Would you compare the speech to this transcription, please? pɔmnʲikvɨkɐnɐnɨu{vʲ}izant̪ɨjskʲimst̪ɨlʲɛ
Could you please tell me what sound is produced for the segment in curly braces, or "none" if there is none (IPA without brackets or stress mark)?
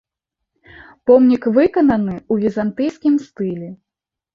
vʲ